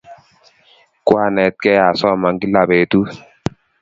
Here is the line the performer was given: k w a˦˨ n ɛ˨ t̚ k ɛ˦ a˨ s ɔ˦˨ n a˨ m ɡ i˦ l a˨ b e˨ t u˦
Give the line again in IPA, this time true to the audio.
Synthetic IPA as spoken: k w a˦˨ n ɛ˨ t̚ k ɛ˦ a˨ s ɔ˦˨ m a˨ ŋ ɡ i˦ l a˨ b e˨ t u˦